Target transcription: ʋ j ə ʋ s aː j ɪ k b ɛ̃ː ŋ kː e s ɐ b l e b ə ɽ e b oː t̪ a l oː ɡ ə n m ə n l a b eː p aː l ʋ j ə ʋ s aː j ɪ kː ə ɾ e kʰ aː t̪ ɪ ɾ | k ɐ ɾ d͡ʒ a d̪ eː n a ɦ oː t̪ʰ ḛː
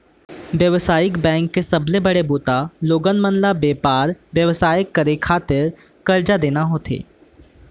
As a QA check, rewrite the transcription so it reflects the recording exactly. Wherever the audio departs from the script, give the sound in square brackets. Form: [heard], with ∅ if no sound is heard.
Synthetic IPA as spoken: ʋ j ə ʋ s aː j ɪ k b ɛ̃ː ŋ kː e s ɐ b l e b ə ɽ e b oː t̪ a l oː ɡ ə n m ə n l a b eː p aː [ɾ] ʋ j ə ʋ s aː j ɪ kː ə ɾ e kʰ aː t̪ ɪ ɾ | k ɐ ɾ d͡ʒ a d̪ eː n a ɦ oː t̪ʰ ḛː